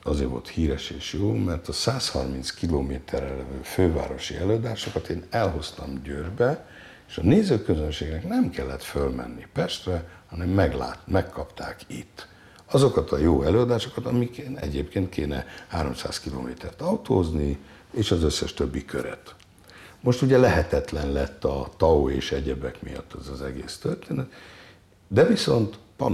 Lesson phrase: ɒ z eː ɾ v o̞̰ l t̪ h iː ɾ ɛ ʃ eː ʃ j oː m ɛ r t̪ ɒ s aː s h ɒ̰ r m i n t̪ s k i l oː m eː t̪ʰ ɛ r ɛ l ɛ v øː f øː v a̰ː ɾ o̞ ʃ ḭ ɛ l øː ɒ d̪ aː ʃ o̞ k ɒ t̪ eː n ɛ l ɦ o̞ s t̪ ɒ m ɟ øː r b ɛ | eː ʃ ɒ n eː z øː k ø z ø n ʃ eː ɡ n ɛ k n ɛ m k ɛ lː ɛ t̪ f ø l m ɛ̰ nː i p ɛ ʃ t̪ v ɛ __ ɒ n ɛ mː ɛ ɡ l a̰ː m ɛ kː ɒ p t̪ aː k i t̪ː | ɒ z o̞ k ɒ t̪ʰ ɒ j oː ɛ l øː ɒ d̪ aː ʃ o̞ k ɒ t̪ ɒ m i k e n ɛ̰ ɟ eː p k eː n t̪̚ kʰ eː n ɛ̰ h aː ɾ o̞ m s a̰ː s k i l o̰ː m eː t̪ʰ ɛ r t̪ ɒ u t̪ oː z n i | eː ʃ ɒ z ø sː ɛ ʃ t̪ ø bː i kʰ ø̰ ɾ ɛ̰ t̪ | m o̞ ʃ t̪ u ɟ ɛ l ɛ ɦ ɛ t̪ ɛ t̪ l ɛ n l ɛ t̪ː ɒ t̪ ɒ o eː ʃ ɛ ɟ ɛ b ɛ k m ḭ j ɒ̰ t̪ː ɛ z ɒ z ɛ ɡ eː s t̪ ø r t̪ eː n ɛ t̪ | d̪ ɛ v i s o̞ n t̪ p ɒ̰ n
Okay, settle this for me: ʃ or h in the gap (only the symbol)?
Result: h